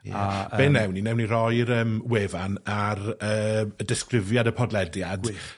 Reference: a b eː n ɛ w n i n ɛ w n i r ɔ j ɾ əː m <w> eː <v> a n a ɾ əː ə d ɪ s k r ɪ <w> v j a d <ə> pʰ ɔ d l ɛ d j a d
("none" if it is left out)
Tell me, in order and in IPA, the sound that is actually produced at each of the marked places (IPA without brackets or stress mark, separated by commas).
w, v, none, ə